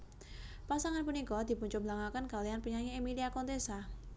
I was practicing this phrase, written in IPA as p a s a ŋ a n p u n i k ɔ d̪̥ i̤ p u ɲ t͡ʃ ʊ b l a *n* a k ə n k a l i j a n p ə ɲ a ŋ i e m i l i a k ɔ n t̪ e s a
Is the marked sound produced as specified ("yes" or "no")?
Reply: no